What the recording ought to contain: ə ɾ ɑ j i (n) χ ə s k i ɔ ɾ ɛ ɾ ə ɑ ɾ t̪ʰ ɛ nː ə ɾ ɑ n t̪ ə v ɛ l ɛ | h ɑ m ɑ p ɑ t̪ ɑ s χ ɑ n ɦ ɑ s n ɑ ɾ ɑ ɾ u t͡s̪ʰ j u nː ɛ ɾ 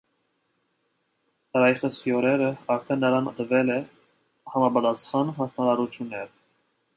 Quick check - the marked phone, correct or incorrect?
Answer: incorrect